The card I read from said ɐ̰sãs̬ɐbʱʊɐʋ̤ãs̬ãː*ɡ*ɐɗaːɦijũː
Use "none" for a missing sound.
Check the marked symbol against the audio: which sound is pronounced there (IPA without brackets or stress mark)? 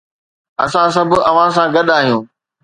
ɡ